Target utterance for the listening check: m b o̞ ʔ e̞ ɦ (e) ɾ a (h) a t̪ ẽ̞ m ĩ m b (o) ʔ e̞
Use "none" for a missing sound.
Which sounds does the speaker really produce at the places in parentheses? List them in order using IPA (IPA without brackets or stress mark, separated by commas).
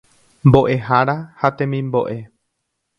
a, h, o